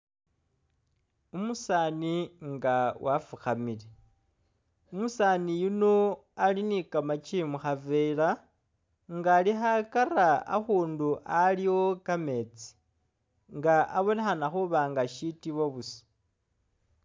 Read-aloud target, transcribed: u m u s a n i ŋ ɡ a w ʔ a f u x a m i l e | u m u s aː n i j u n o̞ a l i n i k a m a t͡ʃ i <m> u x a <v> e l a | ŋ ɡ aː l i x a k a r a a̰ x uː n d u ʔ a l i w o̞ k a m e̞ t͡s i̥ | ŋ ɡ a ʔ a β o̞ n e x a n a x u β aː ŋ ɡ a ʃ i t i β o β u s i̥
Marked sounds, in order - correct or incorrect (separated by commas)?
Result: correct, correct